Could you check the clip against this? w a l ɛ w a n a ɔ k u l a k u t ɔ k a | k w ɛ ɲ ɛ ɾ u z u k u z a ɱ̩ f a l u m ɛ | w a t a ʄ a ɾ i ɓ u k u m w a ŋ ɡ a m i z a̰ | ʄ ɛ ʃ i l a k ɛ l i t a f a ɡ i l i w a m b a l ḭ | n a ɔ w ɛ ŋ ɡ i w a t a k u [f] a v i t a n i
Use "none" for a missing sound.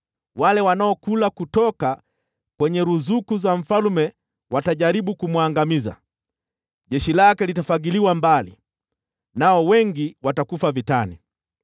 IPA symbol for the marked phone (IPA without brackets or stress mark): f